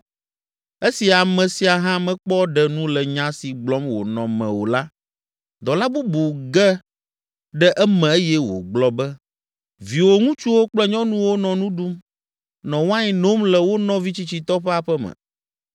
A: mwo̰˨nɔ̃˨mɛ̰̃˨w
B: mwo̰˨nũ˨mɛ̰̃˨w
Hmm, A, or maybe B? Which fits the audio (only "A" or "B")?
A